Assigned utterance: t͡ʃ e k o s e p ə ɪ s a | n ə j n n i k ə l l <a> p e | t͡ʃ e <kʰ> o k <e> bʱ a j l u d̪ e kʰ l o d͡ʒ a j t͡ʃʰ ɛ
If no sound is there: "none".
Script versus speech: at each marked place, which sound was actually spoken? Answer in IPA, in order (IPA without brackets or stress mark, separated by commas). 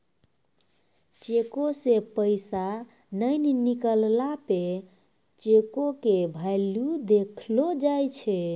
a, k, e